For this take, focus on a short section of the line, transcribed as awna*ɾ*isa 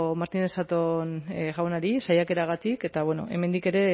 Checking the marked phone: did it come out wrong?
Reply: no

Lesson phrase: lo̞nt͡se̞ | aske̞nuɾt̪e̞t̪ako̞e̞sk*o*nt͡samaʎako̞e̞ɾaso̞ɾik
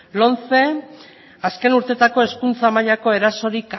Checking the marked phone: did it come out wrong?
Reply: yes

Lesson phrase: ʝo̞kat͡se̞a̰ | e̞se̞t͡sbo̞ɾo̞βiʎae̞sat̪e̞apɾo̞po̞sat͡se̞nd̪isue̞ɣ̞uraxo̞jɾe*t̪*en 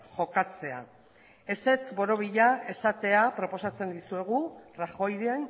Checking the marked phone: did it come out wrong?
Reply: yes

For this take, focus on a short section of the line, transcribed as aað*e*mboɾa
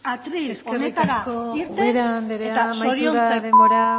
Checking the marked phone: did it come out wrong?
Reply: no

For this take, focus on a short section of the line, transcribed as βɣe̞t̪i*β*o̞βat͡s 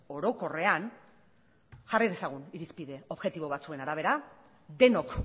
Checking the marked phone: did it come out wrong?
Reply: no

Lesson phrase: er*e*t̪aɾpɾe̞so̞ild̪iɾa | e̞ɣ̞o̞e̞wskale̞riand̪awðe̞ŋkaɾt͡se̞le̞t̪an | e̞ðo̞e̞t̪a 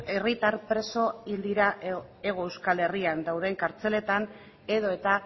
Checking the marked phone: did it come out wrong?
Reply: yes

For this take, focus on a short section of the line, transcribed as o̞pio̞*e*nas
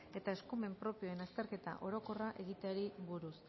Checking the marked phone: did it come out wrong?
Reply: no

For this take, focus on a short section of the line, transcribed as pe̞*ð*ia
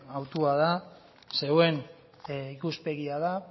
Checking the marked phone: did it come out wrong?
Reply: yes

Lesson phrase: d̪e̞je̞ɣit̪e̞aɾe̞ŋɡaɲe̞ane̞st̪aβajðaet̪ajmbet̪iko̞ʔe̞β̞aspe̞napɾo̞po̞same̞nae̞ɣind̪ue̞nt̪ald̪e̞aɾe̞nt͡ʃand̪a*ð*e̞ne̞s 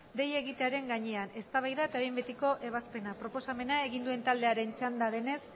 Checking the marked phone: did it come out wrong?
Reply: no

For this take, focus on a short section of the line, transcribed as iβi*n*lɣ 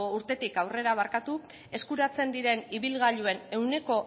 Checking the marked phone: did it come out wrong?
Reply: yes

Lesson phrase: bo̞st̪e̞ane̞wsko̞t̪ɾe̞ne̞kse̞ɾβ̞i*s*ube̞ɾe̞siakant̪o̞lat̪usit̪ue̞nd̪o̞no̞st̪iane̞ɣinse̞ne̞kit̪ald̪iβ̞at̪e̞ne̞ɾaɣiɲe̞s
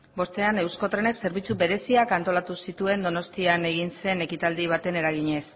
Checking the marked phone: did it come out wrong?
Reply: yes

